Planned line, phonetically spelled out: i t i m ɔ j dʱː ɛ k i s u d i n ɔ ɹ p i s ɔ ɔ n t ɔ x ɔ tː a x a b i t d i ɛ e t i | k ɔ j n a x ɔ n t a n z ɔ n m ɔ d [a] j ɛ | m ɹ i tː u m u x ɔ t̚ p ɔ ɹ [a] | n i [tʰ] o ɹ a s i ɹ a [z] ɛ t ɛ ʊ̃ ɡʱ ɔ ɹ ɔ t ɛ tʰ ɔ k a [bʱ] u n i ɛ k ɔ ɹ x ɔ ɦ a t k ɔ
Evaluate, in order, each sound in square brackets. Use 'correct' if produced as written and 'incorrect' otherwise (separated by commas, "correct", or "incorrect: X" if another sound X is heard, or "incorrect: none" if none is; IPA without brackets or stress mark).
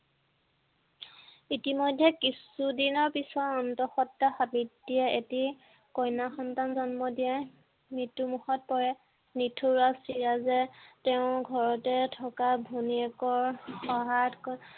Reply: incorrect: i, incorrect: ɛ, correct, correct, correct